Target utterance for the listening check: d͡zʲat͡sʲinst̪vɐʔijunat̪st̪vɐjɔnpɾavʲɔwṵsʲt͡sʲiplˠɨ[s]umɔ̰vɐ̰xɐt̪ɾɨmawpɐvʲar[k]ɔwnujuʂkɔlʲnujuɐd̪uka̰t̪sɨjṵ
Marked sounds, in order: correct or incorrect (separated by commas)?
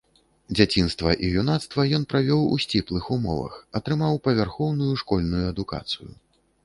incorrect, incorrect